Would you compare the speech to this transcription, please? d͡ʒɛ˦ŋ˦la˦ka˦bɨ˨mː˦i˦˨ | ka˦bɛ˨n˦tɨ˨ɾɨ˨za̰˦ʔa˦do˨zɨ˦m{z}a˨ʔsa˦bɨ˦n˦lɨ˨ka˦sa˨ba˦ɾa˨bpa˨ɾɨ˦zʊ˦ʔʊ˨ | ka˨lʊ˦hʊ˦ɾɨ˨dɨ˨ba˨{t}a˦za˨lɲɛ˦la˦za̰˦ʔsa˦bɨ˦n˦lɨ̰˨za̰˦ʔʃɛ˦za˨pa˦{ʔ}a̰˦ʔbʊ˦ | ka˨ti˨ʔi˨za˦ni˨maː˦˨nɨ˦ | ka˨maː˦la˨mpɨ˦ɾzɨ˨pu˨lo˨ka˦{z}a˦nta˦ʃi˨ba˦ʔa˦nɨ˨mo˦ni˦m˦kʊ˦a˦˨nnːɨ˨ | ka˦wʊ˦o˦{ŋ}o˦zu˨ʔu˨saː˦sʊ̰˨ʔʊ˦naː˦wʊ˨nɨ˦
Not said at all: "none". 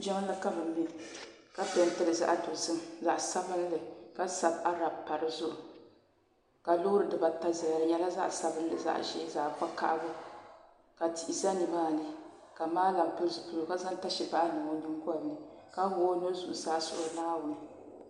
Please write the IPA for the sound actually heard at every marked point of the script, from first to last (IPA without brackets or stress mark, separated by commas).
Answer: z, t, k, z, n